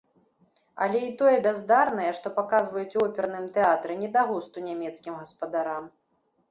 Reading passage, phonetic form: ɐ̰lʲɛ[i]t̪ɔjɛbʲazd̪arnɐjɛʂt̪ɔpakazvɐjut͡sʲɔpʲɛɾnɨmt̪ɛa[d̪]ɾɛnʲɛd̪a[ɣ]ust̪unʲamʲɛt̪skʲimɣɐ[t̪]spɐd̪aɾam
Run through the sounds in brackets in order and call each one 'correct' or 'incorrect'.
correct, incorrect: t̪, correct, incorrect: none

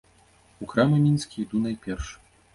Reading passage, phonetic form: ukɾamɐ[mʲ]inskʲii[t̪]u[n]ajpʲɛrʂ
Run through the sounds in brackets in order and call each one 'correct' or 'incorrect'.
correct, incorrect: d̪, correct

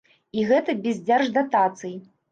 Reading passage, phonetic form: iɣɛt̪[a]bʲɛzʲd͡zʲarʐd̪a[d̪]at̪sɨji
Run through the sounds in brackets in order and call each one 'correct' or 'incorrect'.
incorrect: ɐ, incorrect: t̪

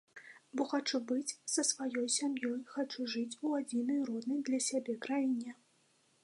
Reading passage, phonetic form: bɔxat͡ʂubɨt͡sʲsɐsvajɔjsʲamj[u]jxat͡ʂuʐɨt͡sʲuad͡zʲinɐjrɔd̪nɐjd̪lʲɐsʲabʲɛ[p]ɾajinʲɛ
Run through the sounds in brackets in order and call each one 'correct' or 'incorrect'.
incorrect: ɔ, incorrect: k

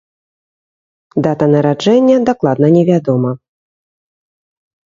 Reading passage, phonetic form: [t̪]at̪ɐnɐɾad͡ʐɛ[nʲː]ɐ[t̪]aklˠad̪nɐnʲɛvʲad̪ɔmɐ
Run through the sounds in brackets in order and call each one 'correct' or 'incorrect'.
incorrect: d̪, correct, incorrect: d̪

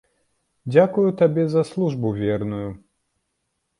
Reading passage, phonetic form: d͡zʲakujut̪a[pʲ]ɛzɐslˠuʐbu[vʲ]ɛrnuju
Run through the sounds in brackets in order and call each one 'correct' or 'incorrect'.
incorrect: bʲ, correct

